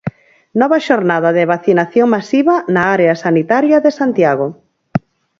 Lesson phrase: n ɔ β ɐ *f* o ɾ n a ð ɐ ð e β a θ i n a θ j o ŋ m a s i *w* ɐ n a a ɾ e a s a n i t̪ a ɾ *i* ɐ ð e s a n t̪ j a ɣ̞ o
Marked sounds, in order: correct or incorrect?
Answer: incorrect, incorrect, incorrect

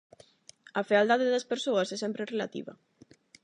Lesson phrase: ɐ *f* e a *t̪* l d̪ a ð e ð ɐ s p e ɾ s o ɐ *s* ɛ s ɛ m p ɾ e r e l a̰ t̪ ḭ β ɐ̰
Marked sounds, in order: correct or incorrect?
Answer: correct, incorrect, correct

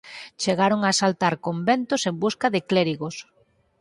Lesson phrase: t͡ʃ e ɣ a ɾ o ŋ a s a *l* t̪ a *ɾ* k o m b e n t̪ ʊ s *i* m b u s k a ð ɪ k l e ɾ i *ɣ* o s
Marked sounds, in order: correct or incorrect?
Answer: correct, correct, incorrect, correct

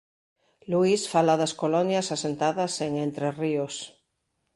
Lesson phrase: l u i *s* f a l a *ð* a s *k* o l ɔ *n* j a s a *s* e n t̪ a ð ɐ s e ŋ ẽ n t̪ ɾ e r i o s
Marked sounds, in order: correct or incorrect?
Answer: correct, correct, correct, correct, correct

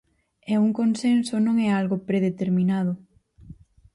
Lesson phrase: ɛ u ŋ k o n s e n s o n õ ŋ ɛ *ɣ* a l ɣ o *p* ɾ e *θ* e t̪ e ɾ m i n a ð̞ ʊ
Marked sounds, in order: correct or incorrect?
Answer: incorrect, correct, incorrect

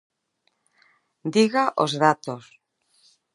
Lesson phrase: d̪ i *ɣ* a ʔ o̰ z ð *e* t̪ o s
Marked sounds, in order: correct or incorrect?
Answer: correct, incorrect

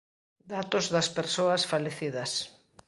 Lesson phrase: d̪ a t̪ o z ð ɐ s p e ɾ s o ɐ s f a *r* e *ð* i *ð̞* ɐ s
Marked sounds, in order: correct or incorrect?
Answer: incorrect, incorrect, correct

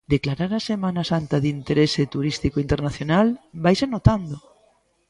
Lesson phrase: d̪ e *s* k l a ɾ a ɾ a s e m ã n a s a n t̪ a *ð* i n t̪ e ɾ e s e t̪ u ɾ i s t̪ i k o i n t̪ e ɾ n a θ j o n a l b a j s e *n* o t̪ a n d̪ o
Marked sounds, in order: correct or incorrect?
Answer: incorrect, correct, correct

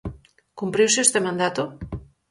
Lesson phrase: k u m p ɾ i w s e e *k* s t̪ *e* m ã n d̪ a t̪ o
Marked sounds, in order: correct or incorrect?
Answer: incorrect, correct

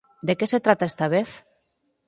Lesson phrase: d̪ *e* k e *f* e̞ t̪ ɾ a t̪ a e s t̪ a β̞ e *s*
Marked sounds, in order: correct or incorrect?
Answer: correct, incorrect, incorrect

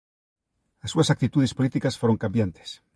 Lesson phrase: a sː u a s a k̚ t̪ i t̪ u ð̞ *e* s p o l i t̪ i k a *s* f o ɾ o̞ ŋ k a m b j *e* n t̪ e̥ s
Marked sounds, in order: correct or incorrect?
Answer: correct, correct, incorrect

